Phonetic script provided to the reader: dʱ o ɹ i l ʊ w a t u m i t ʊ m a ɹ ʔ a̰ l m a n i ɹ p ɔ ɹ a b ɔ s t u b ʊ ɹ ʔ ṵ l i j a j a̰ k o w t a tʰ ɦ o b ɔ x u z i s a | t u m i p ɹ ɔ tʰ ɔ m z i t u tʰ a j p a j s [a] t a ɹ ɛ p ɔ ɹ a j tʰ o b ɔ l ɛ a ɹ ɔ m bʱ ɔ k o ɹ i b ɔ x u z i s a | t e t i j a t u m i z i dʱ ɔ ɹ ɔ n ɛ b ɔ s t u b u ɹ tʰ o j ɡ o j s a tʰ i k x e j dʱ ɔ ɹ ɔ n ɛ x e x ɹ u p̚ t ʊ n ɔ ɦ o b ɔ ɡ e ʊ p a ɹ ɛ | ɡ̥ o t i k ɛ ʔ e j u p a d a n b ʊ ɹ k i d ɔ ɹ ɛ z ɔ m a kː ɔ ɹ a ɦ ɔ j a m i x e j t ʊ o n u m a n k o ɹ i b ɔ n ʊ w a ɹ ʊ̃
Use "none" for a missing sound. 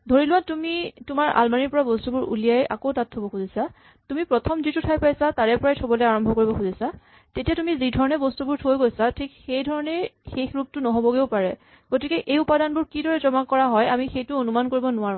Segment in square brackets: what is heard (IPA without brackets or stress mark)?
a